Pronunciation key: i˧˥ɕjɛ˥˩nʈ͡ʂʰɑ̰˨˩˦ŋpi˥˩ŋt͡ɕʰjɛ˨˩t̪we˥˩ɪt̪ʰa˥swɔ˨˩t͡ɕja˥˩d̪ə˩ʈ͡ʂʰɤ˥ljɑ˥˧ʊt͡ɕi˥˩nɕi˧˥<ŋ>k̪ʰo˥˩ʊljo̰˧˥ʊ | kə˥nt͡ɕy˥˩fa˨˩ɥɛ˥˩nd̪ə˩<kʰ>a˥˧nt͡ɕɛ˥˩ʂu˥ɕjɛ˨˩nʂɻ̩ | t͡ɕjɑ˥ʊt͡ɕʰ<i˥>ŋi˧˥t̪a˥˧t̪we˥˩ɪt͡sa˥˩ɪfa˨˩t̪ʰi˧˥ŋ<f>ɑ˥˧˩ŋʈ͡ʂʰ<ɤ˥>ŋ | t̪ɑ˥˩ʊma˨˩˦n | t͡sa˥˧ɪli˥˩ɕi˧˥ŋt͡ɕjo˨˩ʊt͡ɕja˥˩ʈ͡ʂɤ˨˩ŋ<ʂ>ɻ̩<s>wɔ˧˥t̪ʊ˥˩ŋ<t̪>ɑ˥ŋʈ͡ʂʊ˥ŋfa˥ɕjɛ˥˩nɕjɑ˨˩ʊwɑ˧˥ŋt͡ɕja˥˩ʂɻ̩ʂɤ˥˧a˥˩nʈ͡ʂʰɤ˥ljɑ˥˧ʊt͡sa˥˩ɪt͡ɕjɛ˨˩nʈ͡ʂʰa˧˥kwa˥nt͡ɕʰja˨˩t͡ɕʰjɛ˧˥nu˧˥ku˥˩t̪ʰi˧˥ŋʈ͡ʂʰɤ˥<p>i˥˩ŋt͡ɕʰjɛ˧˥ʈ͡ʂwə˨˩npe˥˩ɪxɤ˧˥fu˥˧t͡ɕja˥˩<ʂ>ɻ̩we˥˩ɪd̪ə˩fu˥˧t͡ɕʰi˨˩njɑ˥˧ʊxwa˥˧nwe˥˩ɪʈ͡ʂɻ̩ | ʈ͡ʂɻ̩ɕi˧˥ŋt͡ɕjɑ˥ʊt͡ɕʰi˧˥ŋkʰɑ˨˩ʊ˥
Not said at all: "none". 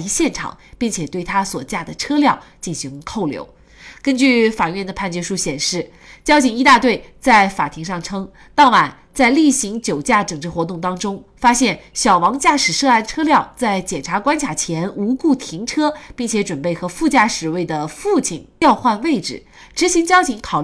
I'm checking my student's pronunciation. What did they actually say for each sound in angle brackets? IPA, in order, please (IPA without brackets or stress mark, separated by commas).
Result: ŋ, pʰ, i˨˩, ʂ, ɤ˥, ʈ͡ʂ, x, t̪, p, ʂ